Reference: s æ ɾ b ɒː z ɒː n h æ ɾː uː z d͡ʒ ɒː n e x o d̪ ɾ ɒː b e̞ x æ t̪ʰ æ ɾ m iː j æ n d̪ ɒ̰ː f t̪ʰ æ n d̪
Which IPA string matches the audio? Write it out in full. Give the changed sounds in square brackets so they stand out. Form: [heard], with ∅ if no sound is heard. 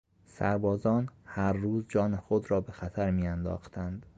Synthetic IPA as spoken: s æ ɾ b ɒː z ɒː n h æ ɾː uː z d͡ʒ ɒː n e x o d̪ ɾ ɒː b e̞ x æ t̪ʰ æ ɾ m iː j æ n d̪ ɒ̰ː [x] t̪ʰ æ n d̪